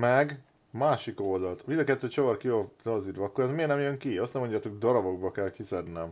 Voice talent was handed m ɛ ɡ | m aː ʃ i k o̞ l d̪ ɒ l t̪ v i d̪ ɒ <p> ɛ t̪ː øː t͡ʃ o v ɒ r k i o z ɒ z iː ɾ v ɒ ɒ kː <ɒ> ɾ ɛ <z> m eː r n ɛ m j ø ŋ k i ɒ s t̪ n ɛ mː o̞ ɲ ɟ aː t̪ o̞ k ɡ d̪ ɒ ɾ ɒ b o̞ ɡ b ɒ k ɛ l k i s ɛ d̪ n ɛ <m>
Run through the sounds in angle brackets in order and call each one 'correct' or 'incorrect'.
incorrect: k, incorrect: o, correct, correct

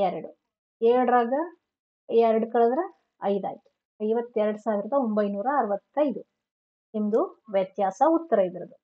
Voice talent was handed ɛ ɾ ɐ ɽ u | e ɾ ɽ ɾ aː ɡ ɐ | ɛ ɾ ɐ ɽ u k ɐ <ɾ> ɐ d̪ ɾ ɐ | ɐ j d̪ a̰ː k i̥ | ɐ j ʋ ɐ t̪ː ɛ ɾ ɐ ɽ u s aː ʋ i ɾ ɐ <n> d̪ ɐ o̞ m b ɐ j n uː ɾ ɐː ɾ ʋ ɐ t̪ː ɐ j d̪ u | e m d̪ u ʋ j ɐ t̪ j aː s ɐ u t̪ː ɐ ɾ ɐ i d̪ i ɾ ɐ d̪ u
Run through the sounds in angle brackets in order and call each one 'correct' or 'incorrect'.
incorrect: ɭ, incorrect: none

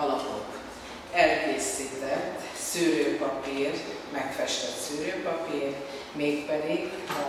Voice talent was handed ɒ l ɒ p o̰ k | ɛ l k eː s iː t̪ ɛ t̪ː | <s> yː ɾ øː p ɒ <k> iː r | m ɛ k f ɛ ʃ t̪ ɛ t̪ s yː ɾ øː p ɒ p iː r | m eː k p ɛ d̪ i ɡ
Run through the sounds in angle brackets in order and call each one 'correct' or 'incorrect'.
correct, incorrect: p

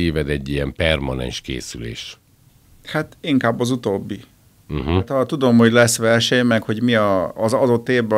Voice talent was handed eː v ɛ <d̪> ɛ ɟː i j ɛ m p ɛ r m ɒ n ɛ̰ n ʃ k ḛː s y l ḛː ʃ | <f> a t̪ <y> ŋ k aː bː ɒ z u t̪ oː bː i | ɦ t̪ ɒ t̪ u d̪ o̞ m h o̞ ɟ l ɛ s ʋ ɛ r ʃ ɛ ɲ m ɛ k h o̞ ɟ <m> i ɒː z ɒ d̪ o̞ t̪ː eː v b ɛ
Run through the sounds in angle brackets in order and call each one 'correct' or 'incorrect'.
correct, incorrect: h, incorrect: i, correct

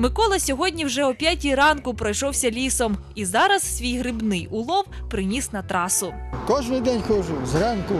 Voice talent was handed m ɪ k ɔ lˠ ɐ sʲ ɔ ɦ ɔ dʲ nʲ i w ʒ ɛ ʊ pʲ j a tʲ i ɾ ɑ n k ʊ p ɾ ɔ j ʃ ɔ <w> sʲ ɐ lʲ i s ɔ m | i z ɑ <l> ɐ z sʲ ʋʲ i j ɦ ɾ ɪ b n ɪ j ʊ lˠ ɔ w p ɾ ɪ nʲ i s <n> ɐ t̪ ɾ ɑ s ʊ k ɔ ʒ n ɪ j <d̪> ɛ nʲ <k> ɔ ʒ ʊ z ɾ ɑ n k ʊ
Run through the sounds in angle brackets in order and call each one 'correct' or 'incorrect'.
correct, incorrect: ɾ, correct, correct, incorrect: x

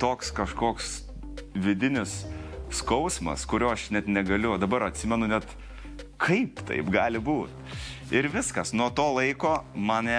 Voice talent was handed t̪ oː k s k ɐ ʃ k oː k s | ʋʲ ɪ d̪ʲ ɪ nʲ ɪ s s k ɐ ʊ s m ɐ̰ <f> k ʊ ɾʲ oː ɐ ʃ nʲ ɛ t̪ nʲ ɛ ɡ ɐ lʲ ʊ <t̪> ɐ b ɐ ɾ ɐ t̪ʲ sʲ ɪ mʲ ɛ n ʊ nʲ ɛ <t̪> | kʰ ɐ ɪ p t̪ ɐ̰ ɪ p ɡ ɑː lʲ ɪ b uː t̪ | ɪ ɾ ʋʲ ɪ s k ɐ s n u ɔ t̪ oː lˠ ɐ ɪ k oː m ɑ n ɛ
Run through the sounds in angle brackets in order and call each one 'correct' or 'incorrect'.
incorrect: s, incorrect: d̪, correct

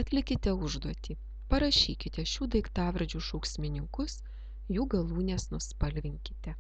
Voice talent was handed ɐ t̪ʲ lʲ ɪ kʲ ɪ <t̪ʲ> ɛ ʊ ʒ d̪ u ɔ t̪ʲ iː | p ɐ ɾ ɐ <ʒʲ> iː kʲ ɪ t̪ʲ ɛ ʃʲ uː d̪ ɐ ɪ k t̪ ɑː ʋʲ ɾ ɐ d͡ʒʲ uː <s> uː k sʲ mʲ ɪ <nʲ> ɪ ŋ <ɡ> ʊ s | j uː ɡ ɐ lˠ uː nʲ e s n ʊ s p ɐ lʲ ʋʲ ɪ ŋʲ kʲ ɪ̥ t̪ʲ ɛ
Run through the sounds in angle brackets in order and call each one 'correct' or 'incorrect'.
correct, incorrect: ʃʲ, incorrect: ʃ, correct, incorrect: k

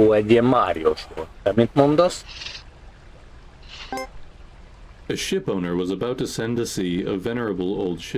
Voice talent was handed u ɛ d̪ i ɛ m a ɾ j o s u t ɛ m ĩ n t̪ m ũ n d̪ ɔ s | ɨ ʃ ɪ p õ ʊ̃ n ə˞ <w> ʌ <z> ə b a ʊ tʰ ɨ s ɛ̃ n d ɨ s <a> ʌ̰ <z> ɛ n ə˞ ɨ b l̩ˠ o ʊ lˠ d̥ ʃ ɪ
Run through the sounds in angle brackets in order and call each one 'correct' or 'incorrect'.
correct, correct, incorrect: i, incorrect: v

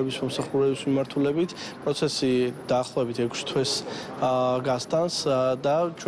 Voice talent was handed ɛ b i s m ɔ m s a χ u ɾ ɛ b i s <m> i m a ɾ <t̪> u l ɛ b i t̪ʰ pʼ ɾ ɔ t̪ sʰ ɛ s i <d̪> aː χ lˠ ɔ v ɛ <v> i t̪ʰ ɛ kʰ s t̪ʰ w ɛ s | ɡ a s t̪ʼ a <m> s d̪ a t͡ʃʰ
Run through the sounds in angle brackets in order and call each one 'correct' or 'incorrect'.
correct, incorrect: t̪ʰ, correct, incorrect: b, incorrect: n

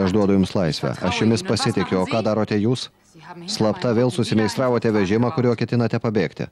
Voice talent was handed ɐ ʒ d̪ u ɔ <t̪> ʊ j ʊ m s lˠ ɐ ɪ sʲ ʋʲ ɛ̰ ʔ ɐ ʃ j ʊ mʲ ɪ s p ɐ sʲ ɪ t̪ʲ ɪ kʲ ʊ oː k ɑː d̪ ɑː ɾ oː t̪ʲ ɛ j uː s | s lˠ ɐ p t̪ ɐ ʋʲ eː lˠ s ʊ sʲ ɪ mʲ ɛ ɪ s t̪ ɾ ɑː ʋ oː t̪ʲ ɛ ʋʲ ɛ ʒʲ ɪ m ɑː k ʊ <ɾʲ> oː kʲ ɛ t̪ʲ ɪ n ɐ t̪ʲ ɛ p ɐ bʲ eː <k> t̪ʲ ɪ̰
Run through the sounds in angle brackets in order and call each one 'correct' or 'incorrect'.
incorrect: d̪, correct, correct

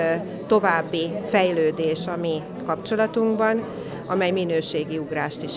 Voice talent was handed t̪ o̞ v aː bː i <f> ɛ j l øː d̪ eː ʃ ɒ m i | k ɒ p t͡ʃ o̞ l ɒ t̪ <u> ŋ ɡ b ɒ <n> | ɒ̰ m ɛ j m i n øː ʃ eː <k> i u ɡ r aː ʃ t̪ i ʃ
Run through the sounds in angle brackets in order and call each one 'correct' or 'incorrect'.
correct, correct, correct, incorrect: ɡ

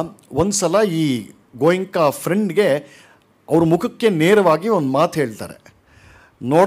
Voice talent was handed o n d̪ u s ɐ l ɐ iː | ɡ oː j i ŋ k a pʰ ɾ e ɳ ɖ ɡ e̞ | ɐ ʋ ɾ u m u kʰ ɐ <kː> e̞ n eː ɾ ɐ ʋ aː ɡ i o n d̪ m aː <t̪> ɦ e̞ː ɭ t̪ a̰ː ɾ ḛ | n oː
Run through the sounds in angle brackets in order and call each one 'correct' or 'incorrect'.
correct, correct

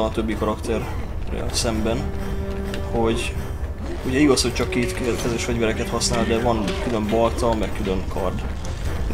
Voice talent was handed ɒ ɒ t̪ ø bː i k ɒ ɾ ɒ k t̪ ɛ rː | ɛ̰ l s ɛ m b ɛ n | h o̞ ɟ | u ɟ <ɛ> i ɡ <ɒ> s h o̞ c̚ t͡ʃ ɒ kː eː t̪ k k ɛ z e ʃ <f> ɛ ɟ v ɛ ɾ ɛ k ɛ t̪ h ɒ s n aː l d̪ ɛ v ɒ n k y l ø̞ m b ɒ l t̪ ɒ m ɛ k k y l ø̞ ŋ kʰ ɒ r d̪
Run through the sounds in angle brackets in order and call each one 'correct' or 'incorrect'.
correct, correct, correct

